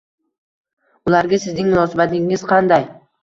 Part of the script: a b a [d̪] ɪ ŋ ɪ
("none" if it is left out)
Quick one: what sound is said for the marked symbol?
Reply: t̪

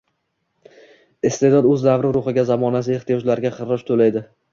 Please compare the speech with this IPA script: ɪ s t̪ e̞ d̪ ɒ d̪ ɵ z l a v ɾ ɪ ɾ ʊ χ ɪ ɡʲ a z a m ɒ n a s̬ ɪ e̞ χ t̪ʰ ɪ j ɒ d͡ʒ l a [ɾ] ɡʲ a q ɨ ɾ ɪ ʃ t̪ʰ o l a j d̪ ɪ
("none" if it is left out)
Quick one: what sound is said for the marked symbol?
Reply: ɾ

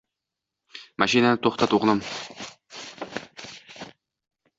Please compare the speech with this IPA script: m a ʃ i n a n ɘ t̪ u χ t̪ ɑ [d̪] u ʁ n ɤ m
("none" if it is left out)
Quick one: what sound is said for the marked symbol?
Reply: t̪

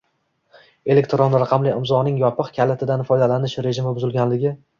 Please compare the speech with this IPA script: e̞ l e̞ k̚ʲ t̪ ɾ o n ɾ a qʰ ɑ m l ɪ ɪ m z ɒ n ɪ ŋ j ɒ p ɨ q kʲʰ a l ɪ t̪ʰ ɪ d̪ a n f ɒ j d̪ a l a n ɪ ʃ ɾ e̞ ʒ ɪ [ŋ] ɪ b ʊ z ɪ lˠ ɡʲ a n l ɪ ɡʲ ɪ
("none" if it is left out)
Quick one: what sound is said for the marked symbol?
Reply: m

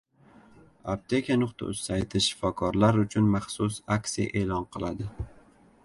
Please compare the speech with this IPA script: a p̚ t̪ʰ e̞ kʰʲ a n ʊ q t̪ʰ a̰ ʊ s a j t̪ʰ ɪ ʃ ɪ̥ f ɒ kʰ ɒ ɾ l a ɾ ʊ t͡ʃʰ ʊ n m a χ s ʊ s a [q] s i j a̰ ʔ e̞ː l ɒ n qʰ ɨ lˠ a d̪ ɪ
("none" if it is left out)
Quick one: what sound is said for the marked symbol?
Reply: k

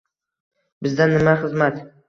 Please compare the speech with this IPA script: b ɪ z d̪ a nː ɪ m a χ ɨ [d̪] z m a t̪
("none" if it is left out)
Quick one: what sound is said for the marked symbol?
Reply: none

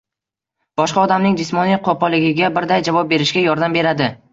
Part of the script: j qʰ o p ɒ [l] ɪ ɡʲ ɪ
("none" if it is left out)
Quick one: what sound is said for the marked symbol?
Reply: l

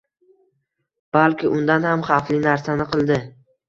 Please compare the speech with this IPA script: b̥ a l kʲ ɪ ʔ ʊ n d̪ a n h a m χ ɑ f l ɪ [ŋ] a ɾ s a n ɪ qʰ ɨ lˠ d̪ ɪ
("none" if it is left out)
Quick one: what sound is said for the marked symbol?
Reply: n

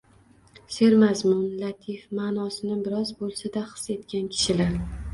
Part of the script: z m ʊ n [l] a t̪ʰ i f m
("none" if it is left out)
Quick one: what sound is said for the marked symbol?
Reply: l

